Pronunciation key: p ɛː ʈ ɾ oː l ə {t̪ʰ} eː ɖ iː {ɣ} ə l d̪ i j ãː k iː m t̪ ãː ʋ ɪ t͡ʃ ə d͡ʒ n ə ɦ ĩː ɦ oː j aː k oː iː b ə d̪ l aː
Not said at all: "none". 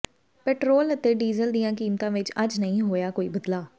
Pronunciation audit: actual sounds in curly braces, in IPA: t̪, z

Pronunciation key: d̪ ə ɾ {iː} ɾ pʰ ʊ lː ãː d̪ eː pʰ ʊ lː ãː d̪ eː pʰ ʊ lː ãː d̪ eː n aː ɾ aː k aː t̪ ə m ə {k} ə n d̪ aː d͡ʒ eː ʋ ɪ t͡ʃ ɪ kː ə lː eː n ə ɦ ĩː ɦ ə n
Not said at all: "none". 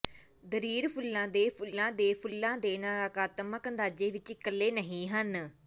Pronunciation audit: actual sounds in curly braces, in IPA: iː, k

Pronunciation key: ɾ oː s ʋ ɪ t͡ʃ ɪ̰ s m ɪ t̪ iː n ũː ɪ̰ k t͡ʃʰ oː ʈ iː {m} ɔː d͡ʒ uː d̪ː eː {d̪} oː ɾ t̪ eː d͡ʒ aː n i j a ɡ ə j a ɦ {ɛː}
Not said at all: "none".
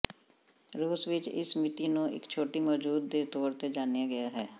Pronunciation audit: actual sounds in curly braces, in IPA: m, t̪, ɛː

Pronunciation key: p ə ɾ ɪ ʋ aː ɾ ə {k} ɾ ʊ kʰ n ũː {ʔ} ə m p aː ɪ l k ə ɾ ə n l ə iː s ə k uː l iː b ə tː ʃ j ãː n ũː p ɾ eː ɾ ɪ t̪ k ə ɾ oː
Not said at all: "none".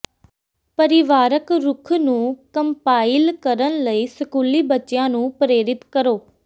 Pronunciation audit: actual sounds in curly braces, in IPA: k, k

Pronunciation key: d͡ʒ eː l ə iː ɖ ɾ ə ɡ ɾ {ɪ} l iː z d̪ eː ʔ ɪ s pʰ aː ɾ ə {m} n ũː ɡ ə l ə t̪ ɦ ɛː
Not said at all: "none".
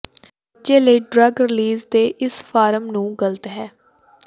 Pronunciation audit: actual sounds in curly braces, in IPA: ɪ, m

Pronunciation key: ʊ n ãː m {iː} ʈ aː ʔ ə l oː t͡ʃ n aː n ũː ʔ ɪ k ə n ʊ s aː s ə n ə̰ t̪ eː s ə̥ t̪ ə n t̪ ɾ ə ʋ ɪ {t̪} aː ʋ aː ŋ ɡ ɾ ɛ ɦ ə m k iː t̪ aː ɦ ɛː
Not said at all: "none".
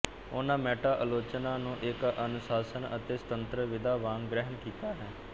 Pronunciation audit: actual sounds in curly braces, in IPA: ɛː, d̪

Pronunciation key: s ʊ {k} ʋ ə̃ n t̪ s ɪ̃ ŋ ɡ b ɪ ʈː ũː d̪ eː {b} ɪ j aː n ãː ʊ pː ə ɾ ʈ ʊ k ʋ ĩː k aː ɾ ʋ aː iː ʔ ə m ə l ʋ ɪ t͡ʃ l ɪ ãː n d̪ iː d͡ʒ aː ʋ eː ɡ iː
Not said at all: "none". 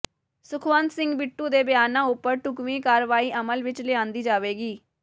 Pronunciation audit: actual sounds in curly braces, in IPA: kʰ, b

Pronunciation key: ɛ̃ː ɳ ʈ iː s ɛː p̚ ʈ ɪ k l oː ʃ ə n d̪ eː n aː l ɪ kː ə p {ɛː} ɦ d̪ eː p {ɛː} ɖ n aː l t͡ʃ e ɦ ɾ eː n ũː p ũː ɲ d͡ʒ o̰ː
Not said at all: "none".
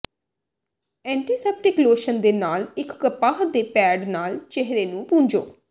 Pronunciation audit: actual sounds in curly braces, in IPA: aː, ɛː

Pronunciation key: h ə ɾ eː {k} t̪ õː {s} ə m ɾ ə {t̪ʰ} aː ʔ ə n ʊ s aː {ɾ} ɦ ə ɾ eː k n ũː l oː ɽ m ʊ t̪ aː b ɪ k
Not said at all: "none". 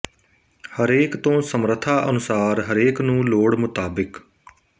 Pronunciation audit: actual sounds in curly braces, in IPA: k, s, t̪ʰ, ɾ

